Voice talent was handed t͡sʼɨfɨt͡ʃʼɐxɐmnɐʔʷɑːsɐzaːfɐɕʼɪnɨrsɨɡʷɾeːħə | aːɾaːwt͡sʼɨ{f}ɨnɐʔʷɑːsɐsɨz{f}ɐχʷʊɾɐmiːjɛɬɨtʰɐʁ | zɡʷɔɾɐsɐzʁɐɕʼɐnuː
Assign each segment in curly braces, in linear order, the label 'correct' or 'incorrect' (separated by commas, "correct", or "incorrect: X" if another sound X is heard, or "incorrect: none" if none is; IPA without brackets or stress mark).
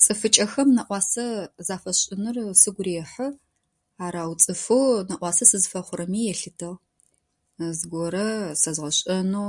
correct, correct